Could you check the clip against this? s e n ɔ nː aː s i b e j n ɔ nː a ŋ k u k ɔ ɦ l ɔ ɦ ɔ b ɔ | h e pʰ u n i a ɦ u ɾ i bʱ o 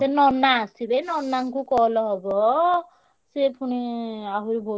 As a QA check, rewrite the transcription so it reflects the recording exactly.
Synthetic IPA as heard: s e n ɔ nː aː s i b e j n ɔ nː a ŋ k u k ɔ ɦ l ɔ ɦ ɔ b ɔ | s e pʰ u n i a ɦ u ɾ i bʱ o